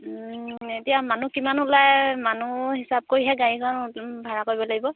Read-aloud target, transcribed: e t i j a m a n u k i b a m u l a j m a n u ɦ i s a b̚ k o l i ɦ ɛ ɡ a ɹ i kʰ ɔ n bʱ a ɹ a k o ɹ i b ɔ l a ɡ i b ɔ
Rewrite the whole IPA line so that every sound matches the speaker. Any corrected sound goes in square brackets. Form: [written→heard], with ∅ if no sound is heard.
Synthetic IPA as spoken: e t i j a m a n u k i [b→m] a [m→n] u l a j m a n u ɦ i s a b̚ k o [l→ɹ] i ɦ ɛ ɡ a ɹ i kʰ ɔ n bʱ a ɹ a k o ɹ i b ɔ l a ɡ i b ɔ